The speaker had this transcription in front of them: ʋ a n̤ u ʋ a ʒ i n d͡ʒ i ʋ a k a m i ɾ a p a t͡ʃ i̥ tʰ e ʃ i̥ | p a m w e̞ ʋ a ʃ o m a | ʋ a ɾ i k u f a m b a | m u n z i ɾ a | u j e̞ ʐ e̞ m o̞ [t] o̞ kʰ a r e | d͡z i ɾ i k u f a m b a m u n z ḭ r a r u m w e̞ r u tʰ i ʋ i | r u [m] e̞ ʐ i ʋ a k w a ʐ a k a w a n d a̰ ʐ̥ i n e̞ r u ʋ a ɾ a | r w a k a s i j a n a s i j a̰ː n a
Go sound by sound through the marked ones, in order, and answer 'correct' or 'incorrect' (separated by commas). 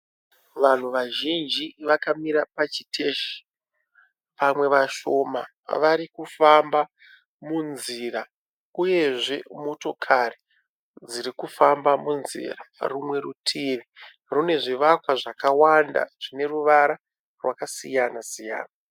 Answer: correct, incorrect